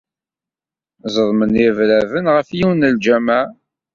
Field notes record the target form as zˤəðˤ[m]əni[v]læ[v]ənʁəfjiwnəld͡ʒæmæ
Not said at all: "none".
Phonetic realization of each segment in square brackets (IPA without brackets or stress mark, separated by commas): m, v, v